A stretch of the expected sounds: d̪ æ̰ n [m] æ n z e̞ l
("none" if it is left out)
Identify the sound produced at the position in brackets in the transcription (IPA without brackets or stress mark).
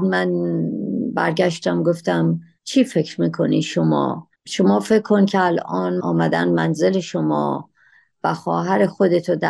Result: m